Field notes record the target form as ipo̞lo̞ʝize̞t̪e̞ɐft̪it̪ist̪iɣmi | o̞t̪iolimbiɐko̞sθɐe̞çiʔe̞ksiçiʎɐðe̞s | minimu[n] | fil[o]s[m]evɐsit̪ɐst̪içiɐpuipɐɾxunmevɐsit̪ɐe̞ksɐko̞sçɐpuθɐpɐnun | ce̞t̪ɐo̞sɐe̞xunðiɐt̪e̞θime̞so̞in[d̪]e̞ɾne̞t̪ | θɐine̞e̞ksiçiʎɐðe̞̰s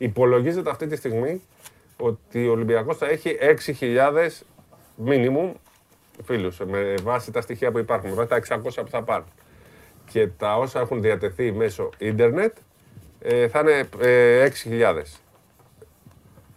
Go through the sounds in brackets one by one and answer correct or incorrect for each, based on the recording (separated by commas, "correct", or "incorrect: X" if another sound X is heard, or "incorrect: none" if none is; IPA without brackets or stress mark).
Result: incorrect: m, incorrect: u, correct, correct